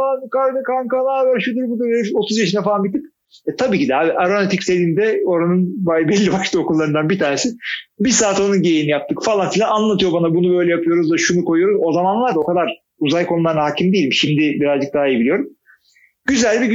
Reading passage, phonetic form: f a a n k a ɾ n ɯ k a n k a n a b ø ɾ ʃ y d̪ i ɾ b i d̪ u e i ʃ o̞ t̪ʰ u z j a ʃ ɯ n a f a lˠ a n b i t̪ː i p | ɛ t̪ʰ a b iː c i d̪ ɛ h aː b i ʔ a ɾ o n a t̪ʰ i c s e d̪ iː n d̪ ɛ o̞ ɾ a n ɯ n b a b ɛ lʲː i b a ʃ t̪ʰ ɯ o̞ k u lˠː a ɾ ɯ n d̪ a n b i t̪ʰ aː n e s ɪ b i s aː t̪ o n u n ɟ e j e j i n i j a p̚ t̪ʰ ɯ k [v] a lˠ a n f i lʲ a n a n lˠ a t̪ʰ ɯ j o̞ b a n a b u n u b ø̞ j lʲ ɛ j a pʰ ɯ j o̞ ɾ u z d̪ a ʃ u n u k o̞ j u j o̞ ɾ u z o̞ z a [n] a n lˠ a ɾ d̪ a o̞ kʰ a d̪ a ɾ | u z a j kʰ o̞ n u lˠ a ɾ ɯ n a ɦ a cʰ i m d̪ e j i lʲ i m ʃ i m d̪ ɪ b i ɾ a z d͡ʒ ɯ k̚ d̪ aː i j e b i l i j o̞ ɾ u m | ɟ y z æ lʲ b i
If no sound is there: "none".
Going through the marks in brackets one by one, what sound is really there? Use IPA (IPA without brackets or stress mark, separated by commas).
f, m